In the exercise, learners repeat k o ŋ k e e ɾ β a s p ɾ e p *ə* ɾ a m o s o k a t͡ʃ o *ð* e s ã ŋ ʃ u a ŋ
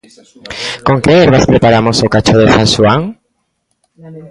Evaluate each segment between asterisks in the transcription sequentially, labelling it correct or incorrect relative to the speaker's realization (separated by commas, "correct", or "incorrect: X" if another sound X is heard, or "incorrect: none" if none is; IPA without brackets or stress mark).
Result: incorrect: a, correct